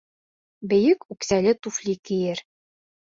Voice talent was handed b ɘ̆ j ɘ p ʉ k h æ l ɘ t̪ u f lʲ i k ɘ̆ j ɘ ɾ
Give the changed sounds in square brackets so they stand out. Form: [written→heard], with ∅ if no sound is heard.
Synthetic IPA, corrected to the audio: b ɘ̆ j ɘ [p→k] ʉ k [h→s] æ l ɘ t̪ u f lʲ i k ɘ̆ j ɘ ɾ